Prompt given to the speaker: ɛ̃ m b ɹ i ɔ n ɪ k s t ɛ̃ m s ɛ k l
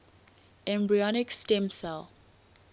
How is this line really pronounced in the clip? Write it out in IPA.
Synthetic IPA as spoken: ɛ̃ m b ɹ i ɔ n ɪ k s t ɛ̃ m s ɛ l